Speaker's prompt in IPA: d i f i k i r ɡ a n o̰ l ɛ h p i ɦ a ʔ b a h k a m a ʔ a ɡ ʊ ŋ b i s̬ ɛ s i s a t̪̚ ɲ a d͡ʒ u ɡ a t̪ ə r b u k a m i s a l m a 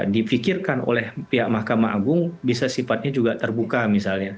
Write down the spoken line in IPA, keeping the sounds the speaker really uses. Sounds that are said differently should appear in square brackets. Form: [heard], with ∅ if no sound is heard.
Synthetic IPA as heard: d i f i k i r [k] a n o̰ l ɛ h p i ɦ a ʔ [m] a h k a m a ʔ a ɡ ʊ ŋ b i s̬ [a] s i [f] a t̪̚ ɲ a d͡ʒ u ɡ a t̪ ə r b u k a m i s a l [ɲ] a